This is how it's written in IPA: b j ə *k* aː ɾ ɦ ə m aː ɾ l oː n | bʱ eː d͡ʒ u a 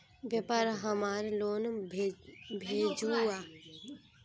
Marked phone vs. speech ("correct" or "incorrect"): incorrect